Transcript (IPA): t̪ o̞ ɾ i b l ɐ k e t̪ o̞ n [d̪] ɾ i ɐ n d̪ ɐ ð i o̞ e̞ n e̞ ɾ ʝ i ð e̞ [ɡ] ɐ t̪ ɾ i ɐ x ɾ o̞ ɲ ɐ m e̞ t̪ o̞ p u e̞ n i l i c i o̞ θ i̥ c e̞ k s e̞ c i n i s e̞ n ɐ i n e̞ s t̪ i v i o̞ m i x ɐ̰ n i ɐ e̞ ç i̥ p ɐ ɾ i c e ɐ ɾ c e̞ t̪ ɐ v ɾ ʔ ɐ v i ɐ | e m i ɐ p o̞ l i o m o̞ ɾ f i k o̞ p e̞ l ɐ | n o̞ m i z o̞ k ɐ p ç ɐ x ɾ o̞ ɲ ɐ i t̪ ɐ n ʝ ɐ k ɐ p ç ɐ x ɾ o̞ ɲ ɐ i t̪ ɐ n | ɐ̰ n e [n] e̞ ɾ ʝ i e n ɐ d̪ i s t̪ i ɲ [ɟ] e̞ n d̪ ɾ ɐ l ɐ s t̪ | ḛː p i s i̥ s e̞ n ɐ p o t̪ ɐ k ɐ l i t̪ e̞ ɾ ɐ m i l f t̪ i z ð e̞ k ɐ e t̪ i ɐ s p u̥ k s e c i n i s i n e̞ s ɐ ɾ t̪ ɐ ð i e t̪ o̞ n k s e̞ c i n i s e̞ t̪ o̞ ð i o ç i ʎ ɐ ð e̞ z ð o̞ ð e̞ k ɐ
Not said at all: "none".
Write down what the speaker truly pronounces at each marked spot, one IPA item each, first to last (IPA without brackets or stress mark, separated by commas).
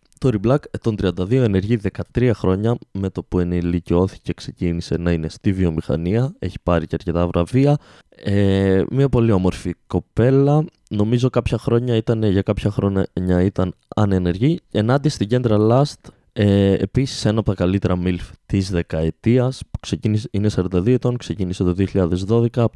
t̪, k, n, ɟ